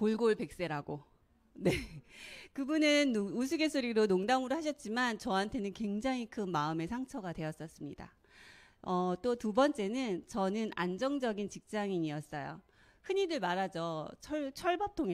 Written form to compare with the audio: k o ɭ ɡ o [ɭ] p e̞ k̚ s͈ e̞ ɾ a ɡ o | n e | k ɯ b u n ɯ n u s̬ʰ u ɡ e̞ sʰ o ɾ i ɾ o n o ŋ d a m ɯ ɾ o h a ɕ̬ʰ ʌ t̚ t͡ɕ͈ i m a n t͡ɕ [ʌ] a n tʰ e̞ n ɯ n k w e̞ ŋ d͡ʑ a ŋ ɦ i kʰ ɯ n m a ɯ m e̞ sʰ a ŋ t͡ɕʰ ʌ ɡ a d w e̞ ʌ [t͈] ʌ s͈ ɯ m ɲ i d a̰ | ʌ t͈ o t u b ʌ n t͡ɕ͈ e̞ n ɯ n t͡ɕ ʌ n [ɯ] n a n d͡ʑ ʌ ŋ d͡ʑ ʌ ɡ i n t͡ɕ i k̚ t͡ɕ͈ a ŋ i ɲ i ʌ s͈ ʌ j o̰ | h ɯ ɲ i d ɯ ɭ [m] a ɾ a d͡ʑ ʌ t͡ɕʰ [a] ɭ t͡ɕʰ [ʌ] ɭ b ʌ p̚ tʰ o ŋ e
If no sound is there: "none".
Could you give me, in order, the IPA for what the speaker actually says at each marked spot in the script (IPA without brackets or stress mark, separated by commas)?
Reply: ɭ, ʌ, s͈, ɯ, m, ʌ, ʌ